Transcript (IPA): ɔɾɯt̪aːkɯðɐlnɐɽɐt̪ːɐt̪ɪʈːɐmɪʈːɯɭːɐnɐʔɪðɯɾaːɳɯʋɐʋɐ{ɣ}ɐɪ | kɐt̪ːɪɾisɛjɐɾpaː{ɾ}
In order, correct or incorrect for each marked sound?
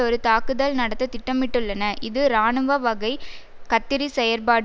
correct, incorrect: ɽ

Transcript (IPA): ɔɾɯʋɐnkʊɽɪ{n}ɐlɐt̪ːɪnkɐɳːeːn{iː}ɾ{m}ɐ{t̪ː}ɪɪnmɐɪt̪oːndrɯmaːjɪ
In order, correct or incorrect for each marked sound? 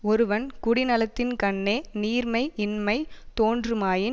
correct, correct, correct, incorrect: none

